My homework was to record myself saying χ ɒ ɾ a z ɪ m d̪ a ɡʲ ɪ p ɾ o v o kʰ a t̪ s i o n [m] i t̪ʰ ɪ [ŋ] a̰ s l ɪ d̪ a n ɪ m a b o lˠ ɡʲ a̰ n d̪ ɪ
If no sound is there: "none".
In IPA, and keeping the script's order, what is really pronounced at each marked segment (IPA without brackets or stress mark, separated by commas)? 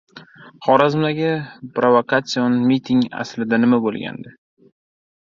m, ŋ